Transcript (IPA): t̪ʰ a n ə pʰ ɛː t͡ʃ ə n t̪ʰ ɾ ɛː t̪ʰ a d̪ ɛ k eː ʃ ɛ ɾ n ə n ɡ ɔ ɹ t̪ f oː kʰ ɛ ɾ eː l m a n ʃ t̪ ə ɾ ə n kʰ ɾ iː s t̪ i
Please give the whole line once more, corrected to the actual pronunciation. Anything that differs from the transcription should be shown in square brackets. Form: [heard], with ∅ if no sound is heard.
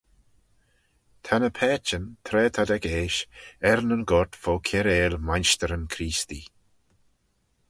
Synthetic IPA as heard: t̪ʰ a n ə pʰ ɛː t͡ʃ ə n t̪ʰ ɾ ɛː t̪ʰ a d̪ ɛ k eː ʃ ɛ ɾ n ə n ɡ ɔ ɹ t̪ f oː kʰ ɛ ɾ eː l m a n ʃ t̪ ə ɾ ə n kʰ ɾ iː s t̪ i